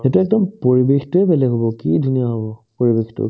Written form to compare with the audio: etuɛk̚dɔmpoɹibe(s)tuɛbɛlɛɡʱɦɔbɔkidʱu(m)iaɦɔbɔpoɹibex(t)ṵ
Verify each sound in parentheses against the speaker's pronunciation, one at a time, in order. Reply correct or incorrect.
incorrect, incorrect, correct

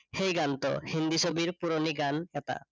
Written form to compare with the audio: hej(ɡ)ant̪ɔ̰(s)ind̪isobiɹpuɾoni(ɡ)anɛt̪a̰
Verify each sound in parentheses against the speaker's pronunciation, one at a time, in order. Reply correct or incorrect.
correct, incorrect, correct

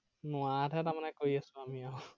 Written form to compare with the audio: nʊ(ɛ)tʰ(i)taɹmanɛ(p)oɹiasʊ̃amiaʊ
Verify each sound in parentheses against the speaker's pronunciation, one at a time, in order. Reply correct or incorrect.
incorrect, incorrect, incorrect

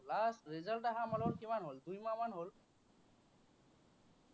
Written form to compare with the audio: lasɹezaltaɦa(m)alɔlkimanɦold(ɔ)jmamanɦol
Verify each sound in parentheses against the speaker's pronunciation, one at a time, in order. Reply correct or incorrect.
correct, incorrect

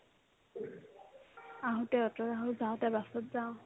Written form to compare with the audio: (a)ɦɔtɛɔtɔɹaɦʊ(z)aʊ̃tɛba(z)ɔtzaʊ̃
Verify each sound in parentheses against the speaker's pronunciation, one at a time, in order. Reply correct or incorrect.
correct, correct, incorrect

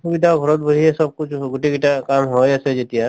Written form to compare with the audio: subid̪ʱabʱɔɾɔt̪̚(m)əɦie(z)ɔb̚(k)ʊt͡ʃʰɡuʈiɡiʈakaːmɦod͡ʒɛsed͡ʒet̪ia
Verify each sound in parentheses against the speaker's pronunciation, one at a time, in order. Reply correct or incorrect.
incorrect, incorrect, correct

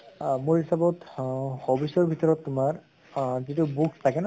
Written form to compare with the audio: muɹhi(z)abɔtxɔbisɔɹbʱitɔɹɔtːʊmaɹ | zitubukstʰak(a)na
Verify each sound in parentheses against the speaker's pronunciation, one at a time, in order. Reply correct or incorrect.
incorrect, incorrect

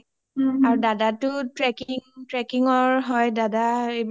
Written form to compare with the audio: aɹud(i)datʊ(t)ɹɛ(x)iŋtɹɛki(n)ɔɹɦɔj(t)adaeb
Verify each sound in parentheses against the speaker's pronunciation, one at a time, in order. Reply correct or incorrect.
incorrect, correct, incorrect, incorrect, incorrect

